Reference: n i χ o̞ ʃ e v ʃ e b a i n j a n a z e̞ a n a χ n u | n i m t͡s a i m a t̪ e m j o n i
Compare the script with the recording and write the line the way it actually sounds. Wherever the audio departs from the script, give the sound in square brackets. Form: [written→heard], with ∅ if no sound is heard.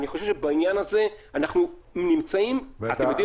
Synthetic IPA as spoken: n i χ o̞ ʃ e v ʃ e b a i n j a n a z e̞ a n a χ n u | n i m t͡s a i m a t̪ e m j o [n→d] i